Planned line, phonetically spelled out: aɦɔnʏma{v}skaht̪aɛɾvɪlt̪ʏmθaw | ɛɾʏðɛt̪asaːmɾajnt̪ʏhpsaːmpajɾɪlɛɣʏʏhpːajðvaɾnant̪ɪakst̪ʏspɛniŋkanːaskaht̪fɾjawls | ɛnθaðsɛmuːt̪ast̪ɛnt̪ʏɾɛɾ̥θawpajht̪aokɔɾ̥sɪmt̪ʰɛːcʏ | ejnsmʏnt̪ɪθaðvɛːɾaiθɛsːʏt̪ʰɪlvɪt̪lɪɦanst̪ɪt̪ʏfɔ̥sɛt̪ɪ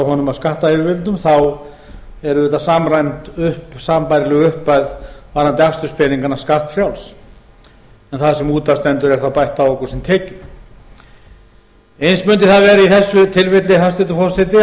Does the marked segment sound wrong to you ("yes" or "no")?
yes